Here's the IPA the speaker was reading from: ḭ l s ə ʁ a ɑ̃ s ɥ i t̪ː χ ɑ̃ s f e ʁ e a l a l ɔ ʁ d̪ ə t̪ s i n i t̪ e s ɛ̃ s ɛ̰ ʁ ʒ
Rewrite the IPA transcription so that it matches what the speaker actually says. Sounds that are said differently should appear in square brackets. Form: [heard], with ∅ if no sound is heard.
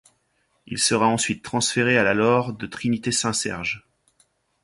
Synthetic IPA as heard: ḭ l s ə ʁ a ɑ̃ s ɥ i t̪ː χ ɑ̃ s f e ʁ e a l a l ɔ ʁ d̪ ə t̪ [χ] i n i t̪ e s ɛ̃ s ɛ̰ ʁ ʒ

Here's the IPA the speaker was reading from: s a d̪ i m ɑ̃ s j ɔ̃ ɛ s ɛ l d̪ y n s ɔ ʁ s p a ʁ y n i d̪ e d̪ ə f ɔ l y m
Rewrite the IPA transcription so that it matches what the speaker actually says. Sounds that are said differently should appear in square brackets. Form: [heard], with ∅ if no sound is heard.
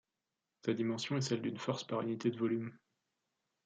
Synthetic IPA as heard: s a d̪ i m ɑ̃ s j ɔ̃ ɛ s ɛ l d̪ y n [f] ɔ ʁ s p a ʁ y n i [t̪] e d̪ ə [v] ɔ l y m

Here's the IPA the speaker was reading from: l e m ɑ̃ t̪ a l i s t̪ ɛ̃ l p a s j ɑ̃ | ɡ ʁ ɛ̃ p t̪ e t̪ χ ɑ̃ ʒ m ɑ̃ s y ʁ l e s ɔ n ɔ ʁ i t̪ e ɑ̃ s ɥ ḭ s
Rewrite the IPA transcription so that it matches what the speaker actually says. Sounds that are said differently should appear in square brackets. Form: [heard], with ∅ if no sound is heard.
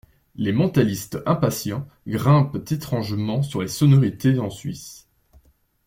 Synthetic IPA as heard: l e m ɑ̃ t̪ a l i s t̪ ɛ̃ [∅] p a s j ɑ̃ | ɡ ʁ ɛ̃ p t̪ e t̪ χ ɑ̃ ʒ m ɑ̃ s y ʁ l e s ɔ n ɔ ʁ i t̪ e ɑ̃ s ɥ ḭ s

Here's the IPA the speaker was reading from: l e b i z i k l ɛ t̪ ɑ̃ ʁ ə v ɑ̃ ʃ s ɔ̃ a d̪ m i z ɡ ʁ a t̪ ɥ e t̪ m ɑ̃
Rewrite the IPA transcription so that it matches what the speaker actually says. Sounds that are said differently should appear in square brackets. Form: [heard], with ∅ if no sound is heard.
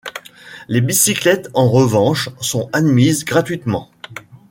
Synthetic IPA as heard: l e b i [s] i k l ɛ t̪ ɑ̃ ʁ ə v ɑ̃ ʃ s ɔ̃ a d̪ m i z ɡ ʁ a t̪ ɥ [i] t̪ m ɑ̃

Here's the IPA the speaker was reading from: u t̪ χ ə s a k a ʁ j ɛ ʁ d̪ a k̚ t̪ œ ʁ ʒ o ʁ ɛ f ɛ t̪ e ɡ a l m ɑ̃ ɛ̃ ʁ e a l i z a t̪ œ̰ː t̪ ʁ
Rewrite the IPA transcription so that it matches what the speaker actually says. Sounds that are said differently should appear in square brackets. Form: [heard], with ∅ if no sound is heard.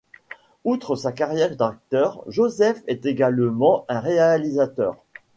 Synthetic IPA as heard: u t̪ χ ə s a k a ʁ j ɛ ʁ d̪ a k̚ t̪ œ ʁ ʒ o [z] ɛ f ɛ t̪ e ɡ a l m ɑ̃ ɛ̃ ʁ e a l i z a t̪ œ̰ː [∅] ʁ

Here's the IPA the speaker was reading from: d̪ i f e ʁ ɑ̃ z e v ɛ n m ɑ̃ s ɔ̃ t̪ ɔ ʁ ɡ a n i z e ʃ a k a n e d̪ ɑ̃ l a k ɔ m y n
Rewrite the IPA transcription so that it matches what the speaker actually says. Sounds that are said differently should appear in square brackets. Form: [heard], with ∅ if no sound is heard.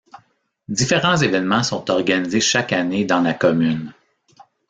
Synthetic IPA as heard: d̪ i f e ʁ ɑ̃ z e v ɛ n m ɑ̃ s ɔ̃ t̪ ɔ ʁ ɡ a n i z e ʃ a k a n e d̪ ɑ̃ l a k ɔ m y n

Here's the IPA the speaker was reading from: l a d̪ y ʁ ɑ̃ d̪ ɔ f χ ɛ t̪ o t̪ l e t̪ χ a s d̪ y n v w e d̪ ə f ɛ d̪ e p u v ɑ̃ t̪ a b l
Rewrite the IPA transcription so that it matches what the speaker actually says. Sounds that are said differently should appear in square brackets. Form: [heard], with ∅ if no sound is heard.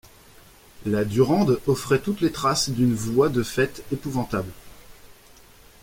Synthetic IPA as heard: l a d̪ y ʁ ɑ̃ d̪ ɔ f χ ɛ t̪ [u] t̪ l e t̪ χ a s d̪ y n v w [a] d̪ ə f ɛ [t̪] e p u v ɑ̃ t̪ a b l

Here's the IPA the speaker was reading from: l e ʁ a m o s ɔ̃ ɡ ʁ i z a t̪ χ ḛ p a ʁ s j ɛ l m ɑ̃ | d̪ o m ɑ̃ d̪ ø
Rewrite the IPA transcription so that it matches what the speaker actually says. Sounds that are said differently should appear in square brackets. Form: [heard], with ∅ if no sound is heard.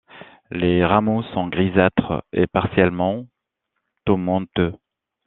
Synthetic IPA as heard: l e ʁ a m o s ɔ̃ ɡ ʁ i z a t̪ χ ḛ p a ʁ s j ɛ l m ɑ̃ | [t̪] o m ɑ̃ [t̪] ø

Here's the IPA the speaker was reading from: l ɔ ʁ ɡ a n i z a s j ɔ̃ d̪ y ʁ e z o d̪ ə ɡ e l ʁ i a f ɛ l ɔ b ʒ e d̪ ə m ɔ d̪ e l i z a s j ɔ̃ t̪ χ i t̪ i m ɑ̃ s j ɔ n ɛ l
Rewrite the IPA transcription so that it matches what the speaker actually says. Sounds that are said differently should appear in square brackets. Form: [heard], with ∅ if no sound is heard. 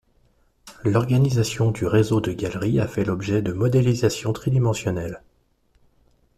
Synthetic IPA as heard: l ɔ ʁ ɡ a n i z a s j ɔ̃ d̪ y ʁ e z o d̪ ə ɡ [a] l ʁ i a f ɛ l ɔ b ʒ [ɛ] d̪ ə m ɔ d̪ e l i z a s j ɔ̃ t̪ χ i [d̪] i m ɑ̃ s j ɔ n ɛ l

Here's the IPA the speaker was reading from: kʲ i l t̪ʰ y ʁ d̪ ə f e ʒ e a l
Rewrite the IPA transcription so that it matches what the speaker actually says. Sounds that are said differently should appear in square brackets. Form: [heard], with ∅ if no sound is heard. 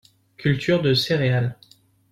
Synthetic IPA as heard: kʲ [y] l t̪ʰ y ʁ d̪ ə [s] e [ʁ] e a l

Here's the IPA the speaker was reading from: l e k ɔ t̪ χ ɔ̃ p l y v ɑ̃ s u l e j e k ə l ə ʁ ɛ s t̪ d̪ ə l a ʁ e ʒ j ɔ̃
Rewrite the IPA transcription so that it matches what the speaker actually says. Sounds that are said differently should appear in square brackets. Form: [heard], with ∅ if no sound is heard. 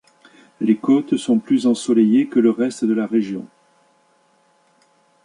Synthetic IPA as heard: l e k ɔ t̪ [s] ɔ̃ p l y [z] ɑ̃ s [ɔ] l e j e k ə l ə ʁ ɛ s t̪ d̪ ə l a ʁ e ʒ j ɔ̃

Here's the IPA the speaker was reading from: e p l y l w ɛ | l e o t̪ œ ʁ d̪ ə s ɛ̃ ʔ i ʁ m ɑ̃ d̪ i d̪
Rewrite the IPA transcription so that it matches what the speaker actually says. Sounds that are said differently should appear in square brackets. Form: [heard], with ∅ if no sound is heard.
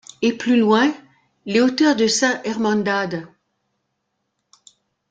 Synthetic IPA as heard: e p l y l w [ɛ̃] | l e o t̪ œ ʁ d̪ ə s ɛ̃ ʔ [ɛ] ʁ m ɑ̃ d̪ [a] d̪

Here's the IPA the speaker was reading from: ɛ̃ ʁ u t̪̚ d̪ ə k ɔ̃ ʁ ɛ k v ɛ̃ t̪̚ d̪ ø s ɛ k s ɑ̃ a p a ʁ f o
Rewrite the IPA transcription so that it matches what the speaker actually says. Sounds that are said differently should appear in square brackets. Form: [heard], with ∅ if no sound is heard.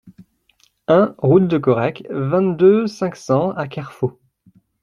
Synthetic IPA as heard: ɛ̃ ʁ u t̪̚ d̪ ə k [ɔ] ʁ ɛ k v ɛ̃ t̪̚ d̪ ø s [ɛ̃] k s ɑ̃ a [k] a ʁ f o

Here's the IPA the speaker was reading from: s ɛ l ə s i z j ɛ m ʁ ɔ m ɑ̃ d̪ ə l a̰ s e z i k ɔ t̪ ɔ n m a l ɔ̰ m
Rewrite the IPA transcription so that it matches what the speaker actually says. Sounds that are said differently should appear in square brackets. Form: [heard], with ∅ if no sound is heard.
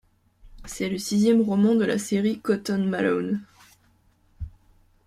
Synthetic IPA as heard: s ɛ l ə s i z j ɛ m ʁ ɔ m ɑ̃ d̪ ə l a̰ s e [ʁ] i k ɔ t̪ ɔ n m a l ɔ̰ [n]

